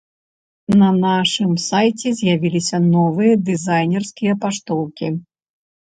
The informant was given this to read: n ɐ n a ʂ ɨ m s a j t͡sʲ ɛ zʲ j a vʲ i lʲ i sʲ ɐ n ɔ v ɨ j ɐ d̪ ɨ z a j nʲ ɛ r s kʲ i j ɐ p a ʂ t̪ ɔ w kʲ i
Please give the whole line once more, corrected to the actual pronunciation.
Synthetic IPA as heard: n ɐ n a ʂ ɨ m s a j t͡sʲ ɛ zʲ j a vʲ i lʲ i sʲ ɐ n ɔ v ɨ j ɐ d̪ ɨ z a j nʲ ɛ r s kʲ i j ɐ p a ʂ t̪ ɔ w kʲ i